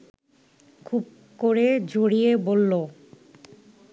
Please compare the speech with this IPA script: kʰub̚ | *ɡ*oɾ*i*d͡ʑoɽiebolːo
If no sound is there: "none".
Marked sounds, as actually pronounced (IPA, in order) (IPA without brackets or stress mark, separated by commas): k, e